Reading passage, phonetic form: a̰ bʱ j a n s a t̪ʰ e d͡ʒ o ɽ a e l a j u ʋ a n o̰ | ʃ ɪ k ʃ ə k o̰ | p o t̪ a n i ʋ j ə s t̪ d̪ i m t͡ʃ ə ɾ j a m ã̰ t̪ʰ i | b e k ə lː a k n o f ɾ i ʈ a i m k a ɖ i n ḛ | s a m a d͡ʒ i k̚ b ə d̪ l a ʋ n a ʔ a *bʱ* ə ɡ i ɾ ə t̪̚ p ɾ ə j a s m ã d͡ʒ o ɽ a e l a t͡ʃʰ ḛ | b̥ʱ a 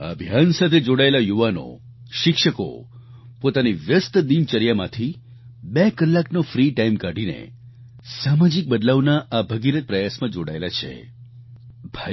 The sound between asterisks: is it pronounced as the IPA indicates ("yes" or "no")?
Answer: yes